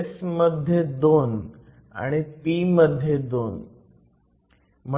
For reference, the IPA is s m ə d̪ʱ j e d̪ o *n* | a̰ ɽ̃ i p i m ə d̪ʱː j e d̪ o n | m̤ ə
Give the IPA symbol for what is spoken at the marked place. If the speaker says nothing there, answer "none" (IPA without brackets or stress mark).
n